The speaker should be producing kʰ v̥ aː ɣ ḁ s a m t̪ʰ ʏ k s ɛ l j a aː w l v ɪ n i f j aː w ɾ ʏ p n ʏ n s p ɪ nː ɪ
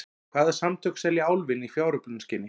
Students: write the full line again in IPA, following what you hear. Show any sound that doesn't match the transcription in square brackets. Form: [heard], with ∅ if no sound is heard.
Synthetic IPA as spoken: kʰ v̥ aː [ð] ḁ s a m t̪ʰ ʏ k s ɛ l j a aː w l v ɪ n i f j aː w ɾ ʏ p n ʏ n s [c] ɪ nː ɪ